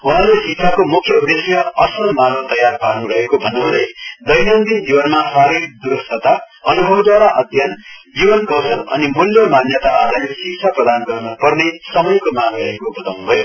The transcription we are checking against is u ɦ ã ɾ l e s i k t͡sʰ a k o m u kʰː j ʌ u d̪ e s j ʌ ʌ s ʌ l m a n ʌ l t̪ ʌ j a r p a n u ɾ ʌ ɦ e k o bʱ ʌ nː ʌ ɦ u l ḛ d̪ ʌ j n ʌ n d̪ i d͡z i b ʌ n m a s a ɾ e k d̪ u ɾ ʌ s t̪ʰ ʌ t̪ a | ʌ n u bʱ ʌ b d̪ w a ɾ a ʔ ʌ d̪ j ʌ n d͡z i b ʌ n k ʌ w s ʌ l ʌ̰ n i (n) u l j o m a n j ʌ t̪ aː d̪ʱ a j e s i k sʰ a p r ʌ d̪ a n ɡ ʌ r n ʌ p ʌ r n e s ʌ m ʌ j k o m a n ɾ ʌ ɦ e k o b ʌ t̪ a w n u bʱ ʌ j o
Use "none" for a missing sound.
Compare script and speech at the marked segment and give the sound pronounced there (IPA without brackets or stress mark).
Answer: m